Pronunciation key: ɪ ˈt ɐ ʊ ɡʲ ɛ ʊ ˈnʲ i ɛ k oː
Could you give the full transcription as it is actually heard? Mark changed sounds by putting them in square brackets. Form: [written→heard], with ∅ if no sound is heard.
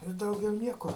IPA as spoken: ɪ [ˈt→ˈd] ɐ ʊ ɡʲ ɛ ʊ ˈnʲ i ɛ k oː